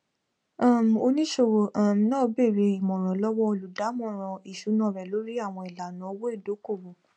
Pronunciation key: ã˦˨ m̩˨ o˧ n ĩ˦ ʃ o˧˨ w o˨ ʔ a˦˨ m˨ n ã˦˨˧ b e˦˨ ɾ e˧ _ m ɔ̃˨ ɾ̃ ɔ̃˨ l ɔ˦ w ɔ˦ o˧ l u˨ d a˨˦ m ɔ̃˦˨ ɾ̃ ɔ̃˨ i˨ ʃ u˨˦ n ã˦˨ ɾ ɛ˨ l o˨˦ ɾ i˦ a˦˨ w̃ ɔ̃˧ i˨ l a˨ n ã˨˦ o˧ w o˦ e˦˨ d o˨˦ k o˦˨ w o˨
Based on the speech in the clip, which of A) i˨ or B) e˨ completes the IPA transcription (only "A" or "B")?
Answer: A